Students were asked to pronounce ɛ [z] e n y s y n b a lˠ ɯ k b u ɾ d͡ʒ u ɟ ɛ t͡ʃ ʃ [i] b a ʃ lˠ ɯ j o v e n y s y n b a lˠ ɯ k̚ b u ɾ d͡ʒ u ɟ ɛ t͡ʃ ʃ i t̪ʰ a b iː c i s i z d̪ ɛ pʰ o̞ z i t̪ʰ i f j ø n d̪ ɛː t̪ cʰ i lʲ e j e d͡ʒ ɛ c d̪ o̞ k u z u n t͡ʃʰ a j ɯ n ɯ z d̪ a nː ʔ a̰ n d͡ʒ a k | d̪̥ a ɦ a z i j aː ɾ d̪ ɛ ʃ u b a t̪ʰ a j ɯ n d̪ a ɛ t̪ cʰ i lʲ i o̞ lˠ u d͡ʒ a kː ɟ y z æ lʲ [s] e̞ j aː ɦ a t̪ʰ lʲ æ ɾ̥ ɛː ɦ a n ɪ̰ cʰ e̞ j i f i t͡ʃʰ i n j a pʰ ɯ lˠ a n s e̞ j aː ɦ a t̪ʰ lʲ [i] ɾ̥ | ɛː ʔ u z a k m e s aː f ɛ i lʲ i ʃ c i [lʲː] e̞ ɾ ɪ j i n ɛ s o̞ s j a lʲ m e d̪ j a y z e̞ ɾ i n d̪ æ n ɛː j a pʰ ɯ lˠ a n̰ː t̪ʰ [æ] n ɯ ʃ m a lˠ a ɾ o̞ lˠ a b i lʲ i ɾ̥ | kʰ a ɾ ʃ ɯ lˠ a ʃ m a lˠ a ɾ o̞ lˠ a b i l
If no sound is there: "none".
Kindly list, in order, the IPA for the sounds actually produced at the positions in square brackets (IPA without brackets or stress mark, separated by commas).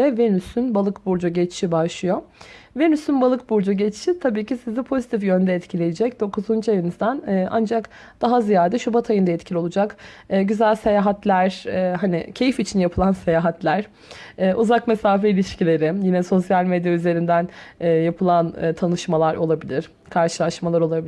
v, i, s, æ, lʲ, a